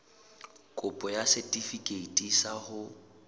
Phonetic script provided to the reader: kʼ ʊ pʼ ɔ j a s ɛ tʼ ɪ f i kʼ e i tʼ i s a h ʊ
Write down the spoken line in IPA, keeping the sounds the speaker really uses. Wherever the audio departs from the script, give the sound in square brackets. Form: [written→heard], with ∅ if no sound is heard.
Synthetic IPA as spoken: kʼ ʊ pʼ ɔ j a s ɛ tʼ [ɪ→i] f i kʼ e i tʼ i s a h ʊ